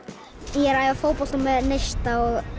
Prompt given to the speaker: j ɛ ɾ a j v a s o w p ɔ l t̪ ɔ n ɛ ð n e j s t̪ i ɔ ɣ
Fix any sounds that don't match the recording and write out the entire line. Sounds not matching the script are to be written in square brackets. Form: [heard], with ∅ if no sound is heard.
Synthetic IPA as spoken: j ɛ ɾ a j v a [f] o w p ɔ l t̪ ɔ [m] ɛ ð n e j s t̪ [a] ɔ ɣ